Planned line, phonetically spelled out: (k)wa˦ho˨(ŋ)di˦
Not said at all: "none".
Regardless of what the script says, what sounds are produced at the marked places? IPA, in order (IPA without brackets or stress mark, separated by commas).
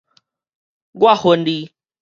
ɡ, n